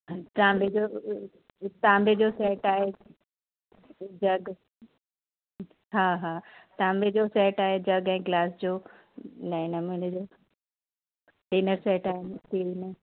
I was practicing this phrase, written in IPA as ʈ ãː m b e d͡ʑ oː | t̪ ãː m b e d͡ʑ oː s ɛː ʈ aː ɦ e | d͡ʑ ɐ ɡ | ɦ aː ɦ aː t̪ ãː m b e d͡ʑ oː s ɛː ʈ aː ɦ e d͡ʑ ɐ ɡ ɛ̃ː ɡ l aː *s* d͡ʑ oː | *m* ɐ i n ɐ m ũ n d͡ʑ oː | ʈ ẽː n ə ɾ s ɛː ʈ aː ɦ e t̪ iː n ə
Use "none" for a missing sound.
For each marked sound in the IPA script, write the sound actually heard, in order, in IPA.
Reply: s, n

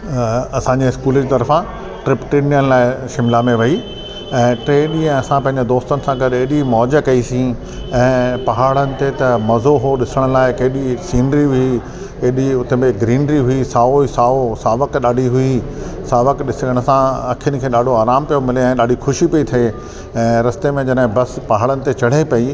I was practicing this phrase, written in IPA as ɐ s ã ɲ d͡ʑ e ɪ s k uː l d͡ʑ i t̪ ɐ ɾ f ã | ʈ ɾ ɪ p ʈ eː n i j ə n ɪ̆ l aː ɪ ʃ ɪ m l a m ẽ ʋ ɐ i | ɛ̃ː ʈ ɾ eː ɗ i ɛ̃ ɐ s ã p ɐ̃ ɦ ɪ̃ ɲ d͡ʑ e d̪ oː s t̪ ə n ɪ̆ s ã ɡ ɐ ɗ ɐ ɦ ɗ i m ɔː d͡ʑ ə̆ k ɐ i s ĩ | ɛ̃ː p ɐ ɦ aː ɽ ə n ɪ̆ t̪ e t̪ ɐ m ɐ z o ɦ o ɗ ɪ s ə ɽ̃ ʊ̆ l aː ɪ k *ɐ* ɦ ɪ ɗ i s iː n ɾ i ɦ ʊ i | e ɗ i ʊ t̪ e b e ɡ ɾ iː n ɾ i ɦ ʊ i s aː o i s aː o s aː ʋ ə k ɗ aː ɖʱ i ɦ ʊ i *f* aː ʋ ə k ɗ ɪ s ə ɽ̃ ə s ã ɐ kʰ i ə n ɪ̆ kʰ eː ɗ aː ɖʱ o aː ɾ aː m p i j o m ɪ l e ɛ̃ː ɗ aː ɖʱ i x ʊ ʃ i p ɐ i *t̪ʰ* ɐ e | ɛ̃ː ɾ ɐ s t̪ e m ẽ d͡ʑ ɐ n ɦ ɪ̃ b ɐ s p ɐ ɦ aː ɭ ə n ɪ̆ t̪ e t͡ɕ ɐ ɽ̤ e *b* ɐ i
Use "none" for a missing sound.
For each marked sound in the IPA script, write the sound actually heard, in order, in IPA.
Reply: ɐ, s, t̪ʰ, p

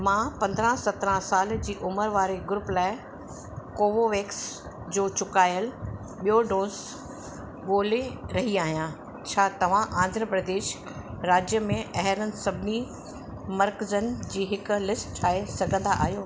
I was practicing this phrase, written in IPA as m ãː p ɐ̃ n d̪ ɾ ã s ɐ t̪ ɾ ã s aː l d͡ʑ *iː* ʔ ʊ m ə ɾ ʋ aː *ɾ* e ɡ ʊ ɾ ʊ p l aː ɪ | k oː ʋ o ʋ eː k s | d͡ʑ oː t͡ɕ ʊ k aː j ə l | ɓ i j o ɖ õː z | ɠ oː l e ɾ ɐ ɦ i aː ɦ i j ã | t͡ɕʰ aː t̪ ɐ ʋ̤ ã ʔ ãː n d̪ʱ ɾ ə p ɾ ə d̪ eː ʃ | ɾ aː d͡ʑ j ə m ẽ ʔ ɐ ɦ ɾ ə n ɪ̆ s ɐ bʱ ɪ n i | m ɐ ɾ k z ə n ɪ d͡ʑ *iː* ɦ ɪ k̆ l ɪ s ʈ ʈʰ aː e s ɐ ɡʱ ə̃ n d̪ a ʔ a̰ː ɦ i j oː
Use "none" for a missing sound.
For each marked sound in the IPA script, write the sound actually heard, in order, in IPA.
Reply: iː, ɾ, iː

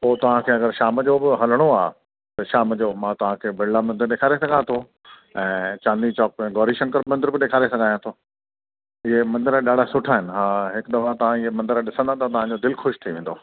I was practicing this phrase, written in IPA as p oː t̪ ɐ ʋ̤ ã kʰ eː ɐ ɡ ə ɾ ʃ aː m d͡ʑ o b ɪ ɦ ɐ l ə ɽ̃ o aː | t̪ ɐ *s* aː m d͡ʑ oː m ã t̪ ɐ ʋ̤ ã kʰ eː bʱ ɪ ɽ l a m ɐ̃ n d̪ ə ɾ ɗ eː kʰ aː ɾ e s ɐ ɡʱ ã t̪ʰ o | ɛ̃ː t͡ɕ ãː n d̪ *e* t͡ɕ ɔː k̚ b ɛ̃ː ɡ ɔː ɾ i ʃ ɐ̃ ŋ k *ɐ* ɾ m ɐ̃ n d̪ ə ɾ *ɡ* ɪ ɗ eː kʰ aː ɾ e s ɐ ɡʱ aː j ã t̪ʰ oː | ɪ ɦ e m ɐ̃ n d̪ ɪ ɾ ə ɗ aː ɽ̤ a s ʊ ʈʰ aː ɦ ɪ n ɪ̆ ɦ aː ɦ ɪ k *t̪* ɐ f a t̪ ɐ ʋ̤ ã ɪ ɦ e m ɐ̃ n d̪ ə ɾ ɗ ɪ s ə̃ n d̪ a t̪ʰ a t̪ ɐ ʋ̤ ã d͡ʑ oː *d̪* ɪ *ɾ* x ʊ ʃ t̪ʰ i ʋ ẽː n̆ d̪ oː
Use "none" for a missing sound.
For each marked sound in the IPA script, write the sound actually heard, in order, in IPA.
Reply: ʃ, i, ə, b, d̪, d̪, l

